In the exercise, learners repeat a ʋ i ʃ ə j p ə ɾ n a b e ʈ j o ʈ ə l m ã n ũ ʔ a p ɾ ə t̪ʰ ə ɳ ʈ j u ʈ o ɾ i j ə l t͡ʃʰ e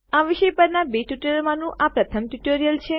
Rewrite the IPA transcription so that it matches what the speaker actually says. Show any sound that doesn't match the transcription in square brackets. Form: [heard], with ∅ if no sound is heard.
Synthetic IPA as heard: a ʋ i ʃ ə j p ə ɾ n a b e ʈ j [u] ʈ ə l m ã n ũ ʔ a p ɾ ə t̪ʰ ə [m] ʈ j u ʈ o ɾ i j ə l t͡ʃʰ e